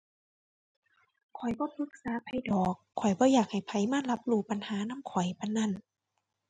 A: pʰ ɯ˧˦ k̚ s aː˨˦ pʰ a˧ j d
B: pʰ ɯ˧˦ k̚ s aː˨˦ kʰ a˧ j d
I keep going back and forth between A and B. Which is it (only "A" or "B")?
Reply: A